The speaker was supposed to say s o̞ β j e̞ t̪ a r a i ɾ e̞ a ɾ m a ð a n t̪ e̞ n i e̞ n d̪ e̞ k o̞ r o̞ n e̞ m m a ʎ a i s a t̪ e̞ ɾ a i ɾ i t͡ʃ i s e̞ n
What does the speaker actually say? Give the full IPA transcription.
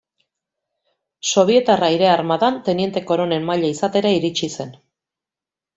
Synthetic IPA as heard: s o̞ β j e̞ t̪ a r a i ɾ e̞ a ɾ m a ð a n t̪ e̞ n i e̞ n t̪ e̞ k o̞ ɾ o̞ n e̞ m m a ʎ a i s a t̪ e̞ ɾ a i ɾ i t͡ʃ i s e̞ n